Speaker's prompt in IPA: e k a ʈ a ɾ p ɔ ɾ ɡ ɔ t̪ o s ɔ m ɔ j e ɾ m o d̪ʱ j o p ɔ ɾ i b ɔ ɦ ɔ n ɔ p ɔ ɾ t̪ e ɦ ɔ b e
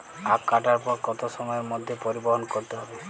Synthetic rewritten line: a k a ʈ a ɾ p ɔ ɾ k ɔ t̪ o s ɔ m ɔ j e ɾ m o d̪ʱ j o p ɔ ɾ i b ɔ ɦ ɔ n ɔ k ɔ ɾ t̪ e ɦ ɔ b e